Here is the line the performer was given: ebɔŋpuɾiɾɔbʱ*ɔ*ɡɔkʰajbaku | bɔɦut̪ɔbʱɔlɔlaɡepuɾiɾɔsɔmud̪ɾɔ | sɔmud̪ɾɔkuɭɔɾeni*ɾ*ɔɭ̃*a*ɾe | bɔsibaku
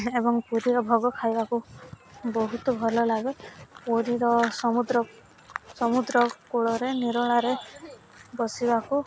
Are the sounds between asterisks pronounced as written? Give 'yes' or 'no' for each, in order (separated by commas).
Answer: yes, yes, yes